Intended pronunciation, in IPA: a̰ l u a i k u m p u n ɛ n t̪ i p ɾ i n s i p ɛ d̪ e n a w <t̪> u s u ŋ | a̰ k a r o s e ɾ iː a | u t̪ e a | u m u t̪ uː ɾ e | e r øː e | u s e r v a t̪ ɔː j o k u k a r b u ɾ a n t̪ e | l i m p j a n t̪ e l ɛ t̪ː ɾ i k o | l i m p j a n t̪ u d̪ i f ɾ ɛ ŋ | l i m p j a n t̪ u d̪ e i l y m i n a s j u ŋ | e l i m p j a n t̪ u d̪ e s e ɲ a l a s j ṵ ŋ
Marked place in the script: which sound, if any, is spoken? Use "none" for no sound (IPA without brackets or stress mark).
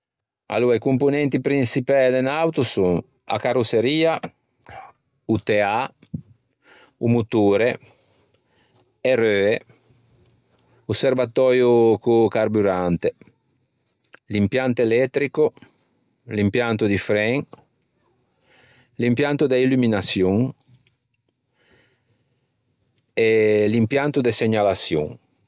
t̪